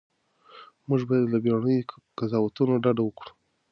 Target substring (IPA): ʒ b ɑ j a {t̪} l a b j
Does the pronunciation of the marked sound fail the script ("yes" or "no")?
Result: yes